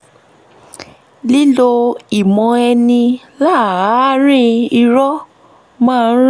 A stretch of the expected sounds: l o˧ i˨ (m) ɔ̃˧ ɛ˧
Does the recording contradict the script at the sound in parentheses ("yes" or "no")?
no